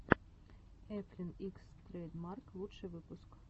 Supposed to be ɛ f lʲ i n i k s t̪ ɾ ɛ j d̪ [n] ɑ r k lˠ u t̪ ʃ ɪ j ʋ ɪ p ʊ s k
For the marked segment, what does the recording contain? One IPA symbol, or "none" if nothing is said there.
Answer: m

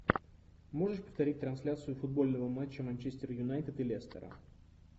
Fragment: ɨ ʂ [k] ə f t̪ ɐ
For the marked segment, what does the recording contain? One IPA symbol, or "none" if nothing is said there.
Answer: p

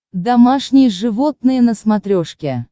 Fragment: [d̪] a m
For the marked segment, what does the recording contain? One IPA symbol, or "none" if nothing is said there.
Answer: d̪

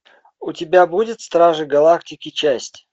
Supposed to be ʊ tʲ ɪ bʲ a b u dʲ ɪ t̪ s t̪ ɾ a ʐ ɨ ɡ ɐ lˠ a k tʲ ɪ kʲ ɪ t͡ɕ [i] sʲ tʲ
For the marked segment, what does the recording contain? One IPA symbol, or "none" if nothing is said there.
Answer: æ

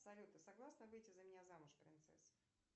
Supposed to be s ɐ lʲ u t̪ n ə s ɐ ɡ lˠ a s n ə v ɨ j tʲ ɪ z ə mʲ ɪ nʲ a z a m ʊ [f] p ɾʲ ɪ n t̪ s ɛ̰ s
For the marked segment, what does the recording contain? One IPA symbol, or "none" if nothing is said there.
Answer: ʂ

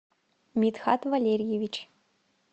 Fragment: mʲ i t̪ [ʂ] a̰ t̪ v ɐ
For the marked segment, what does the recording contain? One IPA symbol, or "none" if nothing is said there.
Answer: x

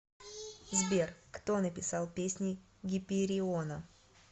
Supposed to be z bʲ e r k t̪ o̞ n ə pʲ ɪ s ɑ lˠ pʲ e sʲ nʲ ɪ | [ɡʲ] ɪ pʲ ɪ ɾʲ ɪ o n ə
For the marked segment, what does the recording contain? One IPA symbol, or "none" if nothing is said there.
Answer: ɡʲ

